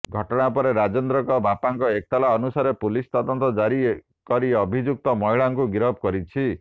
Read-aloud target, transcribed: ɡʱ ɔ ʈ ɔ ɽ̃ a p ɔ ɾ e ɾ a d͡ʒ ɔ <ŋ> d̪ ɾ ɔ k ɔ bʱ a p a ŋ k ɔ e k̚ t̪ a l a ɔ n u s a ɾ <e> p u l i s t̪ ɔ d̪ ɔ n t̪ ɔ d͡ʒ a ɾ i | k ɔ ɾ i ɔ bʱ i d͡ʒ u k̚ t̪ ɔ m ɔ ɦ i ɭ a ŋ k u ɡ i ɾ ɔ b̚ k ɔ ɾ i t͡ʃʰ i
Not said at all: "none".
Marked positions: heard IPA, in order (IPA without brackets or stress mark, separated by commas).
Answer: n, e